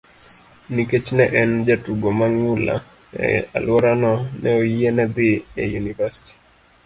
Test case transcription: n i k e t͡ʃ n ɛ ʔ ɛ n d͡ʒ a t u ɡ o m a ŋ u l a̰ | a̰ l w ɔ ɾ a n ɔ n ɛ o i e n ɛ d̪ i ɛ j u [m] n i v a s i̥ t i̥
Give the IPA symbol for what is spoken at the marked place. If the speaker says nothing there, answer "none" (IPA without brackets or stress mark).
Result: none